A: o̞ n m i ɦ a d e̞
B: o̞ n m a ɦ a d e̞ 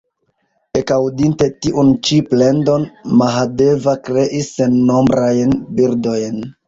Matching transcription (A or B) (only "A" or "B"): B